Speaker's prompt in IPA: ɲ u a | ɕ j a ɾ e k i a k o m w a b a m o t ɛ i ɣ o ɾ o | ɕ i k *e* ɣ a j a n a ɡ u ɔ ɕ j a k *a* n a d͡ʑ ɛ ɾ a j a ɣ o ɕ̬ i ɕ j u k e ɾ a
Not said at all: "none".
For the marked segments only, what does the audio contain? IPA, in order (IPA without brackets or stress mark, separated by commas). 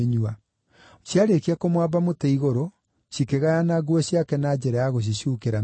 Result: e, ɛ